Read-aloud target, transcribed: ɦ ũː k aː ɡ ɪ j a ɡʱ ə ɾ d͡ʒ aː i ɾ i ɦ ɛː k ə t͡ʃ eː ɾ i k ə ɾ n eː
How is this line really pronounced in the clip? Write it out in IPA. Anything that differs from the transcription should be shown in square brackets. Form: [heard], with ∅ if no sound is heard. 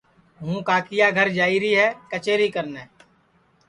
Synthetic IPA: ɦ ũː k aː [k] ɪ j a ɡʱ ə ɾ d͡ʒ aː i ɾ i ɦ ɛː k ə t͡ʃ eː ɾ i k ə ɾ n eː

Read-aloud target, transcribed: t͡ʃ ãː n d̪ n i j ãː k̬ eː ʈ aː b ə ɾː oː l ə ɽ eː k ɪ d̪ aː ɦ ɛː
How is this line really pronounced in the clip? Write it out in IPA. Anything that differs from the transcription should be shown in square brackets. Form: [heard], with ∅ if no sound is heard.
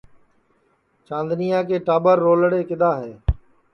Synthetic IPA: t͡ʃ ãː n d̪ n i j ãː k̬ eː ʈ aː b ə ɾː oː l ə ɽ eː k ɪ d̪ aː ɦ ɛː

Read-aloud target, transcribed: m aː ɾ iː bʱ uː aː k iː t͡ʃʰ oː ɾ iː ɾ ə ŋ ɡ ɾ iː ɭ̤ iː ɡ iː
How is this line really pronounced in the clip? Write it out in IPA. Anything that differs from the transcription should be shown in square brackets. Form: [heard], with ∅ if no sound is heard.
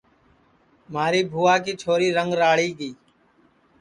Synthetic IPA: m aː ɾ iː bʱ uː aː k iː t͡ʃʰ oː ɾ iː ɾ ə ŋ ɡ ɾ [aː] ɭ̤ iː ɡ iː

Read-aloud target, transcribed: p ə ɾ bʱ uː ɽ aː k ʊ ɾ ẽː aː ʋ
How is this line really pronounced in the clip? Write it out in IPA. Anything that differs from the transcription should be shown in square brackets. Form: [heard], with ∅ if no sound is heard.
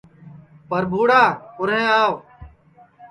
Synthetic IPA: p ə ɾ bʱ uː ɽ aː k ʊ ɾ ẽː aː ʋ

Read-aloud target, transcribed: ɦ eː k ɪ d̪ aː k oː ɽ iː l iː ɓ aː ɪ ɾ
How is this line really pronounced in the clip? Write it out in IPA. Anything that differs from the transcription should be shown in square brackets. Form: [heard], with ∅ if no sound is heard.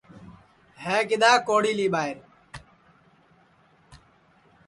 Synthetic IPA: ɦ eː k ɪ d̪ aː k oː ɽ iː l iː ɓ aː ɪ ɾ

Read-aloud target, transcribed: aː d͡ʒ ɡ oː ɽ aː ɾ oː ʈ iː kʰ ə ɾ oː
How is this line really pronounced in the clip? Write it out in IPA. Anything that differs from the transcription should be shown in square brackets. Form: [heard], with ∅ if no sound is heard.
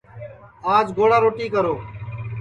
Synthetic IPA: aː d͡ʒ ɡ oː ɽ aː ɾ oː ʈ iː [k] ə ɾ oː

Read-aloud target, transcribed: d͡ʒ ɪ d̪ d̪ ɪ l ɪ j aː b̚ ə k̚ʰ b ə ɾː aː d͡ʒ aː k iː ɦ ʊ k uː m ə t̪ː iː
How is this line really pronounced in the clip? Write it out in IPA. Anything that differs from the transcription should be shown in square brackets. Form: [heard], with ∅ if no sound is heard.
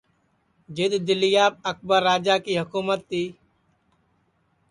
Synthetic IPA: d͡ʒ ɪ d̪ d̪ ɪ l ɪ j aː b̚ ə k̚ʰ b ə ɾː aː d͡ʒ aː k iː ɦ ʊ k uː m ə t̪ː iː

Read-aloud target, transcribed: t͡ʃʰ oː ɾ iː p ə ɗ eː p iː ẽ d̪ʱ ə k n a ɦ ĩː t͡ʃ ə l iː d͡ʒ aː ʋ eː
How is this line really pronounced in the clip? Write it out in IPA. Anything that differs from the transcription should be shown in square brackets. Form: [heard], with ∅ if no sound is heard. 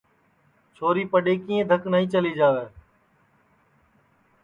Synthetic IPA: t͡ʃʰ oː ɾ iː p ə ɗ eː [k] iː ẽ d̪ʱ ə k n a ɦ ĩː t͡ʃ ə l iː d͡ʒ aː ʋ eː

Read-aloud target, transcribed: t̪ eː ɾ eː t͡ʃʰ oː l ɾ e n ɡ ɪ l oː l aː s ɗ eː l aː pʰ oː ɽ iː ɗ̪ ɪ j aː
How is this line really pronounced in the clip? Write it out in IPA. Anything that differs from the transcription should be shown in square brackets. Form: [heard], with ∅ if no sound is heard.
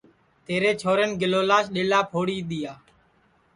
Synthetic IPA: t̪ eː ɾ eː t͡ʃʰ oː [∅] ɾ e n ɡ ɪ l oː l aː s ɗ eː l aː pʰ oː ɽ iː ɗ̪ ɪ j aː

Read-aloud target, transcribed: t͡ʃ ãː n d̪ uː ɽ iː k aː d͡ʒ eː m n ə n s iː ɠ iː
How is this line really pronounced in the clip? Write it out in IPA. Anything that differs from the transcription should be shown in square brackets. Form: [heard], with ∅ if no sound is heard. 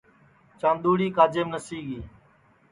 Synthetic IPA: t͡ʃ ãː n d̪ uː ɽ iː k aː d͡ʒ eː m n ə [∅] s iː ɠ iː

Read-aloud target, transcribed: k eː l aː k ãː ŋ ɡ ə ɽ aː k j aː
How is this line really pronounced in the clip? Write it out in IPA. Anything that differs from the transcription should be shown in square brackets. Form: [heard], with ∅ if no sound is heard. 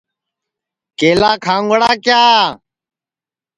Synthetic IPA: k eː l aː [kʰ] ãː ŋ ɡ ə ɽ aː k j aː

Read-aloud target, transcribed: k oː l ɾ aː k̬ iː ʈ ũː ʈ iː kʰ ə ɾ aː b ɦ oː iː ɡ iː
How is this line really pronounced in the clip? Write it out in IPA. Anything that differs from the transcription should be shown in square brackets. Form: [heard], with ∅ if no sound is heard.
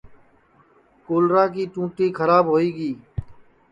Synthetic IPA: k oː l ɾ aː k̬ iː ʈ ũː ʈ iː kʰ ə ɾ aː b ɦ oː iː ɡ iː

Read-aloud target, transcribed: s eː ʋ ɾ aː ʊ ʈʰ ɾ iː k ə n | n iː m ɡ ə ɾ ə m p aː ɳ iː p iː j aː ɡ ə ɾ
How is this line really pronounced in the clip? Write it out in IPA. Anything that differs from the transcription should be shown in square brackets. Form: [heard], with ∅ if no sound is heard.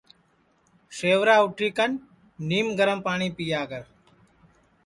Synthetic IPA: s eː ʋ ɾ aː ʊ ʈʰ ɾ iː k ə n | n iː m ɡ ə ɾ ə m p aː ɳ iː p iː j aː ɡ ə ɾ

